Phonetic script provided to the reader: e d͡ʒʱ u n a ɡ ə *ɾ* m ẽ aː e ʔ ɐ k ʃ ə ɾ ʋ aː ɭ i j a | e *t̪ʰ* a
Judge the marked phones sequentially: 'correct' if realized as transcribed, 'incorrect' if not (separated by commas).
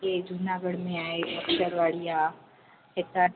incorrect, incorrect